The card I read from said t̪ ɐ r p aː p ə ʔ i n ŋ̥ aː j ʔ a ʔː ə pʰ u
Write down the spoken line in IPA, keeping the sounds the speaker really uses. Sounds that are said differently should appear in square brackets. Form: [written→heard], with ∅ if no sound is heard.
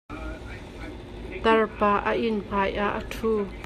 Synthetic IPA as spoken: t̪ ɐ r p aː [p→ʔ] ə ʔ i n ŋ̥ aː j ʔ a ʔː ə [pʰ→tʰ] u